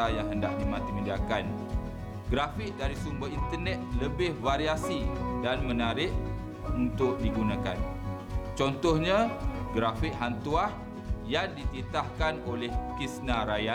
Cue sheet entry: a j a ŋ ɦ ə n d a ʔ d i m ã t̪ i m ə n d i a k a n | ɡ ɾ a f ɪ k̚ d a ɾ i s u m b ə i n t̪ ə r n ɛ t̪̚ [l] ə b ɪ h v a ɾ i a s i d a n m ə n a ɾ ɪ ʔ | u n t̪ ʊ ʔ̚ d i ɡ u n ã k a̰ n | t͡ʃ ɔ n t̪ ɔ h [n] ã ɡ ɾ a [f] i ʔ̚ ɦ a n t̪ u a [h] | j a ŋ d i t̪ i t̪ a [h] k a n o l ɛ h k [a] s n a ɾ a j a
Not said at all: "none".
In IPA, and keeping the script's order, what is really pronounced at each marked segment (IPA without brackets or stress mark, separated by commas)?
l, ɲ, f, h, h, i